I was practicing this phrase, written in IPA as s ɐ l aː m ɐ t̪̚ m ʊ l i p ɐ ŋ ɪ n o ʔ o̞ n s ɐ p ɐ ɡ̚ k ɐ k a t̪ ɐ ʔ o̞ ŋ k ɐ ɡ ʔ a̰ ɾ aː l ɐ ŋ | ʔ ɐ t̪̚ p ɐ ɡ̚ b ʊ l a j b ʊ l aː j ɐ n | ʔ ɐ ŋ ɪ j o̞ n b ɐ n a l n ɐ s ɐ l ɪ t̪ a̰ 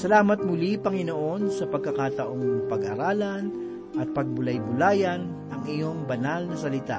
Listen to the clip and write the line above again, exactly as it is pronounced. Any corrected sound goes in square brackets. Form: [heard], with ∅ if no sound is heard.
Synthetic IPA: s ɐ l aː m ɐ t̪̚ m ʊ l i p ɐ ŋ ɪ n o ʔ o̞ n s ɐ p ɐ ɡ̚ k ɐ k a t̪ ɐ ʔ o̞ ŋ [p] ɐ ɡ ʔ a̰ ɾ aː l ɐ [n] | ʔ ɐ t̪̚ p ɐ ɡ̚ b ʊ l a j b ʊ l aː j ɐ n | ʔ ɐ ŋ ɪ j o̞ [ŋ] b ɐ n a l n ɐ s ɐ l ɪ t̪ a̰